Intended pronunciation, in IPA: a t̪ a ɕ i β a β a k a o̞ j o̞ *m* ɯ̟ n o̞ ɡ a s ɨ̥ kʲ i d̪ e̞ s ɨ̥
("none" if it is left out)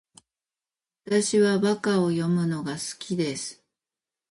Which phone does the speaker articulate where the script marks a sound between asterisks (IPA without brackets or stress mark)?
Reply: m